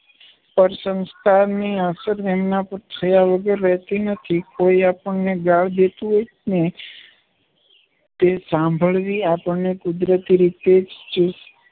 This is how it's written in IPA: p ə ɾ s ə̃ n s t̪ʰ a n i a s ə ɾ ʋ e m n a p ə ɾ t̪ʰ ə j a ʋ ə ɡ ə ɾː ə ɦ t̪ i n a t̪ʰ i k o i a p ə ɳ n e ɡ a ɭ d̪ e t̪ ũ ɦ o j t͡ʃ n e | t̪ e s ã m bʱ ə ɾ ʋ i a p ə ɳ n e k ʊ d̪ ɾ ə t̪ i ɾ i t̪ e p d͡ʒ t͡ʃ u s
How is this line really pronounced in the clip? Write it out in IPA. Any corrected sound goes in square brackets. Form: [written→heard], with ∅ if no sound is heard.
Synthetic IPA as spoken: p ə ɾ s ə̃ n s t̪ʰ a n i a s ə ɾ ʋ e m n a p ə ɾ t̪ʰ ə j a ʋ ə ɡ ə ɾː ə ɦ t̪ i n [a→ə] t̪ʰ i k o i a p ə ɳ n e ɡ a ɭ d̪ e t̪ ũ ɦ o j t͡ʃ n e | t̪ e s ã m bʱ ə [ɾ→ɭ] ʋ i a p ə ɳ n e k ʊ d̪ ɾ ə t̪ i ɾ i t̪ e [p→∅] d͡ʒ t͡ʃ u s